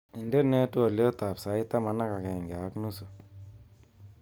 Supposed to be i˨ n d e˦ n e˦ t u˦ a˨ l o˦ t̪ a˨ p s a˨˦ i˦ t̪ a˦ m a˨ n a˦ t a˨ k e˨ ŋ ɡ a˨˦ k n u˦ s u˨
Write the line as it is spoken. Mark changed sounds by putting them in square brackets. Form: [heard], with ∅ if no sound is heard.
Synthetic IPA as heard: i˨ n d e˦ n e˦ t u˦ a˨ l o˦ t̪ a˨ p s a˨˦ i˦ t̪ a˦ m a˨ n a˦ [k] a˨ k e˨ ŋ ɡ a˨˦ k n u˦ s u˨